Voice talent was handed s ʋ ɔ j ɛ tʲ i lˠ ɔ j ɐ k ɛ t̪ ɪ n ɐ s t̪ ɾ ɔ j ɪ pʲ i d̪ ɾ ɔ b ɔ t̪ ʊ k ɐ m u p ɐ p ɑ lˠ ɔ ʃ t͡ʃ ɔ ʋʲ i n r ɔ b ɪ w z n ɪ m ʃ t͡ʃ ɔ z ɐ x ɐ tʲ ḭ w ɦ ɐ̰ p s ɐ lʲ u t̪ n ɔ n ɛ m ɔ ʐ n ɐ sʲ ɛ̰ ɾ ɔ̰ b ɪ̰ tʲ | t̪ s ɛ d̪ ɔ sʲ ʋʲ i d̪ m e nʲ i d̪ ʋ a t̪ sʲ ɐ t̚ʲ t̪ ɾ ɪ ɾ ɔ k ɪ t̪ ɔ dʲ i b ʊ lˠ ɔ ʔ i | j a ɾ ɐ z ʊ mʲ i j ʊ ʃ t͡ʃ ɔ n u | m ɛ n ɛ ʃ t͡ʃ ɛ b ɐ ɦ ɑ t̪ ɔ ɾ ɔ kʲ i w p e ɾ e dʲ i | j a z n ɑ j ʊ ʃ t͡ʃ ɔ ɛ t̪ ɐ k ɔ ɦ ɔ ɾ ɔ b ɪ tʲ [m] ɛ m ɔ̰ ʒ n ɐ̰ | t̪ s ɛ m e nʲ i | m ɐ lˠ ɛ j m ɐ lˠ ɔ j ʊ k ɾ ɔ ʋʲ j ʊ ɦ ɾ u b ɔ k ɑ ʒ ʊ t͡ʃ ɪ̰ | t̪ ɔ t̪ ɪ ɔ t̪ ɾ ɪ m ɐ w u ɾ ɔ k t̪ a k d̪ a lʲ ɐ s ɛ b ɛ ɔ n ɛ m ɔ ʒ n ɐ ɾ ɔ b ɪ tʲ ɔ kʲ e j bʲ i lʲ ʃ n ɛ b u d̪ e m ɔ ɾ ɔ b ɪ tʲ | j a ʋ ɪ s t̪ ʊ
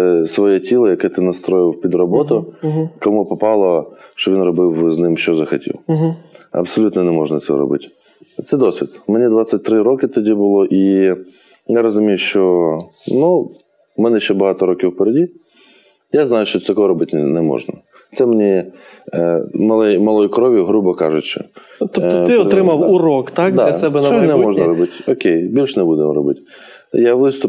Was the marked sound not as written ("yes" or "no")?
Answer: yes